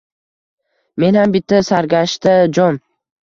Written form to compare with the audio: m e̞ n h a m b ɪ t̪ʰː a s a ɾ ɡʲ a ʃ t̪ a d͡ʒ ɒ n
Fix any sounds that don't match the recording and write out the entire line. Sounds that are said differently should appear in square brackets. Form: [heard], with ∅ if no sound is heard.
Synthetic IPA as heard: m e̞ n h a m b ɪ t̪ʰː a s a ɾ ɡʲ a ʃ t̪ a d͡ʒ ɒ n